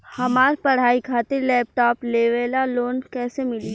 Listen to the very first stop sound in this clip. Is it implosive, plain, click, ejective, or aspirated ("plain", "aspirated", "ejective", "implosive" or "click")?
plain